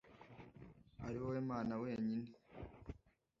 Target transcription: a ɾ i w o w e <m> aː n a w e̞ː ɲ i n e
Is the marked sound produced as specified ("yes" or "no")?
yes